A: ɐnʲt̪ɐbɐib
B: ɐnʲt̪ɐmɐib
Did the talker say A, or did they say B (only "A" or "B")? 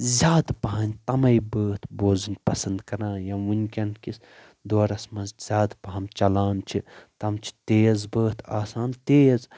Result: B